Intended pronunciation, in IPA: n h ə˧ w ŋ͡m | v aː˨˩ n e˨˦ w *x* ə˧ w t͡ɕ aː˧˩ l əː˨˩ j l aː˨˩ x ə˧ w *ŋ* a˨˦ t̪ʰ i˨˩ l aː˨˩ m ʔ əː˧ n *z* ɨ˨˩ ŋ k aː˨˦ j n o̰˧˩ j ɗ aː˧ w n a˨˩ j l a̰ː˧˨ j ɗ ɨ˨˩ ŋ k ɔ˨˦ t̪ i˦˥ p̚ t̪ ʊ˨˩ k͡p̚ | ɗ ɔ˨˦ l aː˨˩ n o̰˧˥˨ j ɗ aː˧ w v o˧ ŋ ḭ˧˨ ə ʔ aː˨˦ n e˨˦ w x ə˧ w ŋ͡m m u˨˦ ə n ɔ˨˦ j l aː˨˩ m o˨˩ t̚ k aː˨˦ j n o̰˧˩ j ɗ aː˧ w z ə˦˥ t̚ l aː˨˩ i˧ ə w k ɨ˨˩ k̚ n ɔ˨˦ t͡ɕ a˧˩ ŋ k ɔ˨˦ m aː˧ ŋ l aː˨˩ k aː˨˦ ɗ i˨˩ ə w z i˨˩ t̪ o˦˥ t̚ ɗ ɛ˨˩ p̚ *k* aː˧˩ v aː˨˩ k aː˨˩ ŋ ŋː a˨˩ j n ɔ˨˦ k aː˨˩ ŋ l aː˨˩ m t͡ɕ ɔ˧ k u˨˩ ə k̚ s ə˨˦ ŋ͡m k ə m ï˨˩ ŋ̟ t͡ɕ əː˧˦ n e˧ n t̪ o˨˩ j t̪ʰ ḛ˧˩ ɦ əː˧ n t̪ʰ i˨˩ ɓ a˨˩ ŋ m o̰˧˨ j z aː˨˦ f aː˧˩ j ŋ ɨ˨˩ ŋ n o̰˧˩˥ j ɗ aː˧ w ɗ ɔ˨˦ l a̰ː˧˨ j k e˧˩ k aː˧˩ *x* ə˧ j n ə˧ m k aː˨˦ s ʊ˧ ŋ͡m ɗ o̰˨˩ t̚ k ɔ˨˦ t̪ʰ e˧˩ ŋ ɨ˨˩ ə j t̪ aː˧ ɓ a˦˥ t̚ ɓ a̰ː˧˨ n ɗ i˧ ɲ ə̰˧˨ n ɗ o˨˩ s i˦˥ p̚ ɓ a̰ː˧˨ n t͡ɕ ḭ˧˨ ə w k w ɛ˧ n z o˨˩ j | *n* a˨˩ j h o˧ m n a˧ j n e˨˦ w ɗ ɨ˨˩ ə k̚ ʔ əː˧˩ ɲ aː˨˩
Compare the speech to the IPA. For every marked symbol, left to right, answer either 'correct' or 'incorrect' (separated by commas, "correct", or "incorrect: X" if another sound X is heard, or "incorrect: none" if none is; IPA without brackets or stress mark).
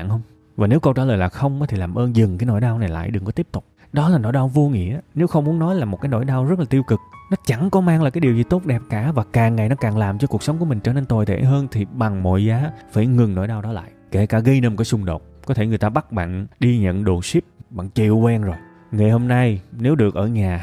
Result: incorrect: k, incorrect: ŋ͡m, correct, correct, incorrect: ɣ, incorrect: ŋ